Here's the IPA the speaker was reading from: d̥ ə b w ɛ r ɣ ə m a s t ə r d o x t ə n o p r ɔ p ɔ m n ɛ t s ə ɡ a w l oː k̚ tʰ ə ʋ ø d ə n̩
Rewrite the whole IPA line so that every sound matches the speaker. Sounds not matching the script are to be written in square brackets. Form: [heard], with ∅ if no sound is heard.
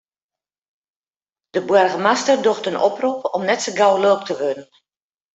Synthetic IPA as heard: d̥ ə b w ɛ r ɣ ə m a s t ə r d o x t ə n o p r [u] p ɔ m n ɛ t s ə ɡ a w l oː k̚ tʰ ə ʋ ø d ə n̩